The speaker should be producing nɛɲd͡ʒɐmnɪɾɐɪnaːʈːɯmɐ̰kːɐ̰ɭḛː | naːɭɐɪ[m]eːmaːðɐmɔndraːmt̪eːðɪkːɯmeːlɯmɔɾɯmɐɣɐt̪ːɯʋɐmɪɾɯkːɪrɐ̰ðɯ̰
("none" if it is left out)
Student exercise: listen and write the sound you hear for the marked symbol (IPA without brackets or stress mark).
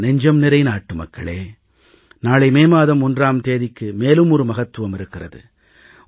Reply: m